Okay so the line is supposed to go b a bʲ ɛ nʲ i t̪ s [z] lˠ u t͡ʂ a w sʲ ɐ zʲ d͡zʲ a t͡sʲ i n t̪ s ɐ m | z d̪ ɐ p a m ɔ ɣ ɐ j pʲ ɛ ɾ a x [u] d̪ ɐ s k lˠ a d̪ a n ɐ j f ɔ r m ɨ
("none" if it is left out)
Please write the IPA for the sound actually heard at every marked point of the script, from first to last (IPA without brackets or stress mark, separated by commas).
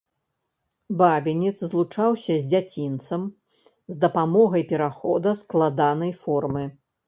z, ɔ